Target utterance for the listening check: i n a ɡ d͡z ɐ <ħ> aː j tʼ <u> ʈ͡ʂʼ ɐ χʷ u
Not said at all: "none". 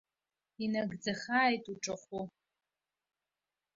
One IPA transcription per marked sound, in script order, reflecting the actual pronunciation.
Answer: χ, u

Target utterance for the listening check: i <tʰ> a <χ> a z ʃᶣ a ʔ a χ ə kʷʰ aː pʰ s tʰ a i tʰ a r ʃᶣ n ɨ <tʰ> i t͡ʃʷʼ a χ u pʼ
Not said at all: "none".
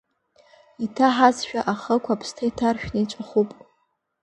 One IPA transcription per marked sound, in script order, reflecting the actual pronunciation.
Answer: tʰ, ħ, none

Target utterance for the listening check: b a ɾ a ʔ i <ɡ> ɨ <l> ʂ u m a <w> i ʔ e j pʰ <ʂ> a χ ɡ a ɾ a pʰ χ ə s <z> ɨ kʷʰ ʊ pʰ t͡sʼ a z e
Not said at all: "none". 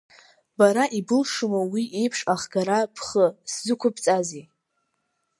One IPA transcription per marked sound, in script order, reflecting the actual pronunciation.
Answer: b, l, w, ʂ, z

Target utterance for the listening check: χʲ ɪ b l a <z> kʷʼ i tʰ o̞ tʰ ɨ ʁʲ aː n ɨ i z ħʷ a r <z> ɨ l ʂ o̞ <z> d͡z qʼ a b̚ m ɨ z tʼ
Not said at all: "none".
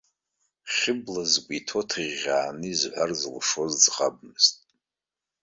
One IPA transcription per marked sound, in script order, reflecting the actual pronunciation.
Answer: z, z, z

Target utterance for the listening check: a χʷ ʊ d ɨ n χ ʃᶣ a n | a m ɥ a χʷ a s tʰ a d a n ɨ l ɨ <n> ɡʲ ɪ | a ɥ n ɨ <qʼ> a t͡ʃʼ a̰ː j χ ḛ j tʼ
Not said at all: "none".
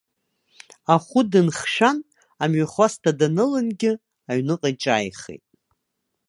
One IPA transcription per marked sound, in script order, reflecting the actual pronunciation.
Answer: n, qʼ

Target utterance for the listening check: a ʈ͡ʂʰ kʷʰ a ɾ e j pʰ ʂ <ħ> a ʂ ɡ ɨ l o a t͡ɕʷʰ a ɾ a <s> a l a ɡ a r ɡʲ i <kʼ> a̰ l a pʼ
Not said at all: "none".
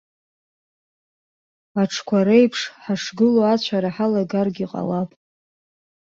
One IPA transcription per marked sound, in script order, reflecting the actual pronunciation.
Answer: ħ, ħ, qʼ

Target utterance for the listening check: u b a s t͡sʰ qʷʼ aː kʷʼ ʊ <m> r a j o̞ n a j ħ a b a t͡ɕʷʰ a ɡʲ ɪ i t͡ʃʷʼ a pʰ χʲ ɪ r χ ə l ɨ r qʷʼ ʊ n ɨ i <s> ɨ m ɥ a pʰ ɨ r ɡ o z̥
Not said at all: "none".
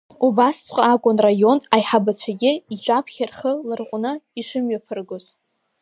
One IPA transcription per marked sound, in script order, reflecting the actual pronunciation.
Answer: n, ʂ

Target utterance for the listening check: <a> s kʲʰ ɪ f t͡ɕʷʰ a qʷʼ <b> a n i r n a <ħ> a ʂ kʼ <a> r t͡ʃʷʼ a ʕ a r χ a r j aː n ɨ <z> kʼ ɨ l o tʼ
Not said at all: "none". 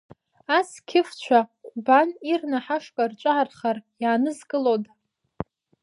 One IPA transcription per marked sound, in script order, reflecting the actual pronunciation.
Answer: a, b, ħ, a, z

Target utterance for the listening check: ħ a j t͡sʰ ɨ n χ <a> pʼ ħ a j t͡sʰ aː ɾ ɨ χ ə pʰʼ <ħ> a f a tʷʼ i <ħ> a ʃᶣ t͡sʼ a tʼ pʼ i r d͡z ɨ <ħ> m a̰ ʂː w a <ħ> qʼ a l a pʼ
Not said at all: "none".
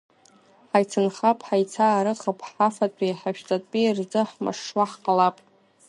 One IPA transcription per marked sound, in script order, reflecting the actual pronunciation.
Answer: a, ħ, ħ, ħ, ħ

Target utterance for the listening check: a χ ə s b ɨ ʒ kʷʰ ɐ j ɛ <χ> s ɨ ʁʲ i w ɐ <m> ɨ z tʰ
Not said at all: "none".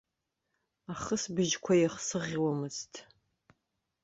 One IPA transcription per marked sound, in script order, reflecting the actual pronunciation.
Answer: χ, m

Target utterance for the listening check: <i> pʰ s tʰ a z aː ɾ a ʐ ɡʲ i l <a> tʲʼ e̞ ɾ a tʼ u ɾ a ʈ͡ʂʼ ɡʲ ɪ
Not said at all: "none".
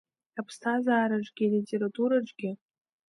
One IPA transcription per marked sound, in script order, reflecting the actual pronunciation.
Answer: a, i

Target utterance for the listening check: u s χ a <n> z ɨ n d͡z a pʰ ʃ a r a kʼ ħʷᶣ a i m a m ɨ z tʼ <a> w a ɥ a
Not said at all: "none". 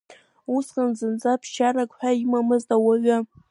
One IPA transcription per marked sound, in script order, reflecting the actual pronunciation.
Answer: n, a

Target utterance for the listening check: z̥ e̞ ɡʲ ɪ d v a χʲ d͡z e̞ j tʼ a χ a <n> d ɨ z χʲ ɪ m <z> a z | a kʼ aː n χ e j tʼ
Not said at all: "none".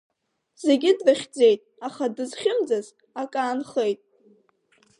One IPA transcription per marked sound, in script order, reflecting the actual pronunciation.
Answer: none, d͡z

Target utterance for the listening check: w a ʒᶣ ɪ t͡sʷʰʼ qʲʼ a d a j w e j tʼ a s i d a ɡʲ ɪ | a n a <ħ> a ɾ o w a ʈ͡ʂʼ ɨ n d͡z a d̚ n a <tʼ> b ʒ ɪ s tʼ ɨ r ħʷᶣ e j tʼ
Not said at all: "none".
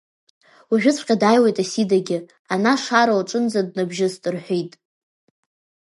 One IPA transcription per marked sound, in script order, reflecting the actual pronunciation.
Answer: ʂ, none

